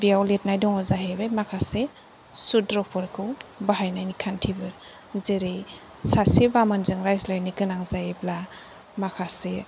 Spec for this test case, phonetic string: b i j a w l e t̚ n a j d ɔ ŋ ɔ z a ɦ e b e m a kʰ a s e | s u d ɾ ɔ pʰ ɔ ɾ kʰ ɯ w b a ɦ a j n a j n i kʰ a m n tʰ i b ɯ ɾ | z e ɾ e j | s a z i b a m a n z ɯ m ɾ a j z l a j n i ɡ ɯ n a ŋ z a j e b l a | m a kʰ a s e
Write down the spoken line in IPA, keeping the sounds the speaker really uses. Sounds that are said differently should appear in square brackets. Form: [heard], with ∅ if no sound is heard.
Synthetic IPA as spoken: b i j a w l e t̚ n a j d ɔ ŋ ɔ z a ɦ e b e m a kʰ a s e | s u d ɾ ɔ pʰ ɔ ɾ kʰ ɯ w b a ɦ a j n a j n i kʰ a [∅] n tʰ i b ɯ ɾ | z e ɾ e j | s a [s] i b a m a n z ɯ [ŋ] ɾ a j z l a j n i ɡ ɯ n a ŋ z a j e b l a | m a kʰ a s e